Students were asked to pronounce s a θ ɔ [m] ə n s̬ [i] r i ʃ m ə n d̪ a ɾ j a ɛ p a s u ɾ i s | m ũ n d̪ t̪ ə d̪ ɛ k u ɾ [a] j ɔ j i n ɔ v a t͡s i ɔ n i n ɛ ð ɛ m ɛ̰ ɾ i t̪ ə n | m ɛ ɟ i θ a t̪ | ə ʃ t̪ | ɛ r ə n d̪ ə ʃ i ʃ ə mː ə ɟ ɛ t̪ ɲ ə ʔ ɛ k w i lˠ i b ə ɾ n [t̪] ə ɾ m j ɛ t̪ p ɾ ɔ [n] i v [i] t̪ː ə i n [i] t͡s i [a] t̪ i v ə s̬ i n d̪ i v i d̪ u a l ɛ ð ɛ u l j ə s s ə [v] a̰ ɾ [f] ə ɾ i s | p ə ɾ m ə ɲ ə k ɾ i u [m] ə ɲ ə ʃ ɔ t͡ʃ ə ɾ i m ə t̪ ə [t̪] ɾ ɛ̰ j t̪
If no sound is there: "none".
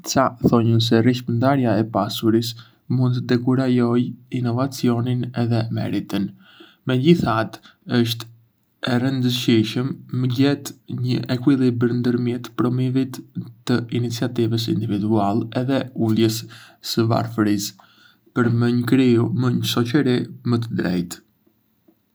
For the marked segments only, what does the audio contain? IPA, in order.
ɲ, ɛ, a, d̪, m, i, i, a, v, f, m, d̪

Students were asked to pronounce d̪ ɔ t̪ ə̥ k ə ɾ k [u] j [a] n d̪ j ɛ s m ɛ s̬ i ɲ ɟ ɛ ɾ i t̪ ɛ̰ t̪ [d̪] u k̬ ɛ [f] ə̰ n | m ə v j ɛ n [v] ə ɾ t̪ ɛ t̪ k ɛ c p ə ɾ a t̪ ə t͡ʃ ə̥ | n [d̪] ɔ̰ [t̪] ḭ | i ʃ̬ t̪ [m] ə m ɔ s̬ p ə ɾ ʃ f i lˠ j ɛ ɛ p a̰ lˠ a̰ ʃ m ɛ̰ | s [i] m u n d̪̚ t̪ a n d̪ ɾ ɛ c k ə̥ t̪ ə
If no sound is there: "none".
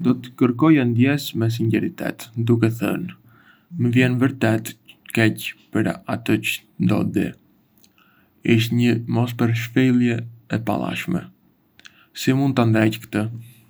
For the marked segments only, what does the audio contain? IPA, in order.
ɔ, a, d̪, θ, v, d̪, d̪, ɲ, i

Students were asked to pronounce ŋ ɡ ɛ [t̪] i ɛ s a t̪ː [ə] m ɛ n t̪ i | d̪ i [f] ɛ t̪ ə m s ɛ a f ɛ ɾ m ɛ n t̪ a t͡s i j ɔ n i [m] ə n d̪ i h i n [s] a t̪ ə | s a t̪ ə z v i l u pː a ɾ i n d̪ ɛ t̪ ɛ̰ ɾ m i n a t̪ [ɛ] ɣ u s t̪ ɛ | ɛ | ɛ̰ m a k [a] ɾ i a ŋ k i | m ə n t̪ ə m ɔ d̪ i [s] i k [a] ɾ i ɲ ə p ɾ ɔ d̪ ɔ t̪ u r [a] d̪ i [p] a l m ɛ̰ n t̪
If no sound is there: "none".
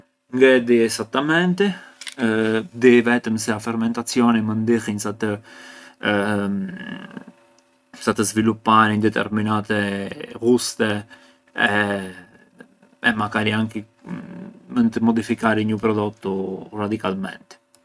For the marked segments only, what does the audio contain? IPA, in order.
d̪, a, v, m, s, ɛ, a, f, a, a, k

